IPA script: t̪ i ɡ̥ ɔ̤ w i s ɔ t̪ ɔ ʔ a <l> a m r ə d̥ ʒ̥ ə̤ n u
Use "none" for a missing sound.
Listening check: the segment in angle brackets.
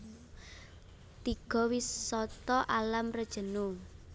l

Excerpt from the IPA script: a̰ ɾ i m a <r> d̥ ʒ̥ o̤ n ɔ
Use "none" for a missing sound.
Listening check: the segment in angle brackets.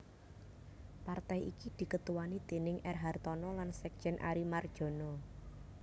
r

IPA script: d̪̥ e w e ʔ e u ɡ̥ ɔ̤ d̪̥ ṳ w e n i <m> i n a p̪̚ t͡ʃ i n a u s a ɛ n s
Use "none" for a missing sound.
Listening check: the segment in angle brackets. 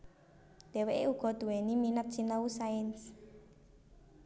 m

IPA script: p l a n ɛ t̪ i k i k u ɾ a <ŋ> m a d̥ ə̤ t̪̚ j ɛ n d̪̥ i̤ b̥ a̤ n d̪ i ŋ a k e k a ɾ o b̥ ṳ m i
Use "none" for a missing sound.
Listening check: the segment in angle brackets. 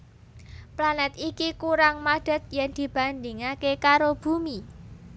ŋ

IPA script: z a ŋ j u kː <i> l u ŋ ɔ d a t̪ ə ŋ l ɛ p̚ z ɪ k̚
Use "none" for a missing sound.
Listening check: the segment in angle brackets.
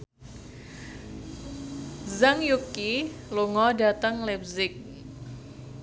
i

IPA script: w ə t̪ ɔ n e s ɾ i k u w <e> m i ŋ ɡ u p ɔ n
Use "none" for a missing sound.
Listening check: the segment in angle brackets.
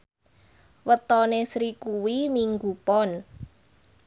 i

